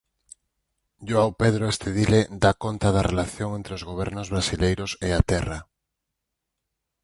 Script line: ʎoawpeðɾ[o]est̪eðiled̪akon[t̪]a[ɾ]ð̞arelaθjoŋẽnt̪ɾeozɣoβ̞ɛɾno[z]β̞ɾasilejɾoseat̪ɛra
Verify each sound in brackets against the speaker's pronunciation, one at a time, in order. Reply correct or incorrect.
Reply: correct, correct, incorrect, correct

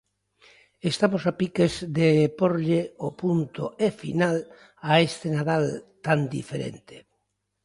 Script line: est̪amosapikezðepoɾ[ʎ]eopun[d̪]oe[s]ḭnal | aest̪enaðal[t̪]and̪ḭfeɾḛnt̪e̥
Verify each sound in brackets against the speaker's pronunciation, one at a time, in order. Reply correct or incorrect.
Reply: correct, incorrect, incorrect, correct

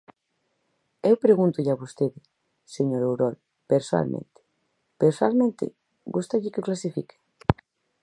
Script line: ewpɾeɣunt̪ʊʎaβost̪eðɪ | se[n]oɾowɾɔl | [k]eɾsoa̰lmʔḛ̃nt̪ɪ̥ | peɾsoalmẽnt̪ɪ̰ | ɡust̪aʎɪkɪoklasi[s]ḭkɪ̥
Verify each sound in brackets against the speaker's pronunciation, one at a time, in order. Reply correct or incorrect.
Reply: incorrect, incorrect, incorrect

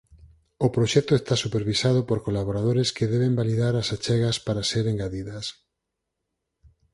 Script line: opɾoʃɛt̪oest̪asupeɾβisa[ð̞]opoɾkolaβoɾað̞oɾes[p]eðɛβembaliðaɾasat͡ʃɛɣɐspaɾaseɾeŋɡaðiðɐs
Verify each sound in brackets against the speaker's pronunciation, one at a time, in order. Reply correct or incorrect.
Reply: correct, incorrect

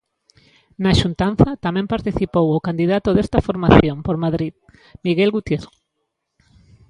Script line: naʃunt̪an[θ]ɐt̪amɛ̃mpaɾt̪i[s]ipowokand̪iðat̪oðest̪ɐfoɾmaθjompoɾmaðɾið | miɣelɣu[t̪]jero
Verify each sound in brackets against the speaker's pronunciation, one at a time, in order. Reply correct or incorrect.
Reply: correct, incorrect, correct

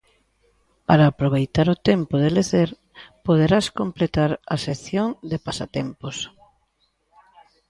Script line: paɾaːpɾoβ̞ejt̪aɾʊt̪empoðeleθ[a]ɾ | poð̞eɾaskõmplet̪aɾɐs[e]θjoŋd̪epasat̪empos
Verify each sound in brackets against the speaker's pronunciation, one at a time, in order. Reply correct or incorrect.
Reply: incorrect, correct

